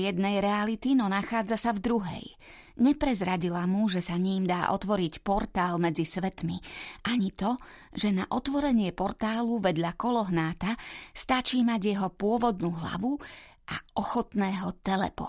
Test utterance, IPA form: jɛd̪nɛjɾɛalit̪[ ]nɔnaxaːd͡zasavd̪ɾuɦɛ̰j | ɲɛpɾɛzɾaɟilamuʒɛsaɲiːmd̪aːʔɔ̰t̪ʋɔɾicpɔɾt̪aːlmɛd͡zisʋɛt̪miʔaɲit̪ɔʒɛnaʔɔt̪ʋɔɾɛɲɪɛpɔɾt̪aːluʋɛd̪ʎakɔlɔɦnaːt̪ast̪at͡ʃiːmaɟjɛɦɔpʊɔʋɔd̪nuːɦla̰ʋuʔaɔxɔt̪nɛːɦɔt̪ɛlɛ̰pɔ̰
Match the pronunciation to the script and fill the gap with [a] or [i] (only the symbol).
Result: i